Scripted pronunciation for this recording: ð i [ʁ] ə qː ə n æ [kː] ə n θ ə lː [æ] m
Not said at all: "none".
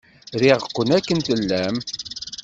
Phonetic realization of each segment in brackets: ʁ, kː, æ

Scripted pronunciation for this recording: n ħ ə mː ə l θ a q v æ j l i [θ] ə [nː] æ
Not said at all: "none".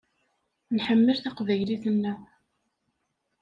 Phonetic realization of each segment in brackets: θ, nː

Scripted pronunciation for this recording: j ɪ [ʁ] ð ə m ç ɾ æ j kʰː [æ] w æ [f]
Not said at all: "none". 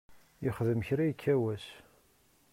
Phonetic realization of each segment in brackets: χ, æ, s

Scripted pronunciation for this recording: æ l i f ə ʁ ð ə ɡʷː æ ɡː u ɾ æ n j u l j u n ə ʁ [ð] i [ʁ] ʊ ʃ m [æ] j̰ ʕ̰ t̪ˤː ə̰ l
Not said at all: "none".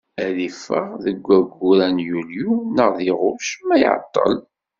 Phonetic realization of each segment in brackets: ð, ʁ, æ

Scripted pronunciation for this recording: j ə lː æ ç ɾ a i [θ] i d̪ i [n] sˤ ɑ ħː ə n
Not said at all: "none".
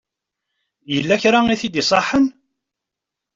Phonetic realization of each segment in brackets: θ, none

